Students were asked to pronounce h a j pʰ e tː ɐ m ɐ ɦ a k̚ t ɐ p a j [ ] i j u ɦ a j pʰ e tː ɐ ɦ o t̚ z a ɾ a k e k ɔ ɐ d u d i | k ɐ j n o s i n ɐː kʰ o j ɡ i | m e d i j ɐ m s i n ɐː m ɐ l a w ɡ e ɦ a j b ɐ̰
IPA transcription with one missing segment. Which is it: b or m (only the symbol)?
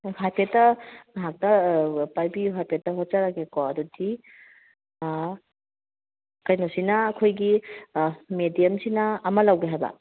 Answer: b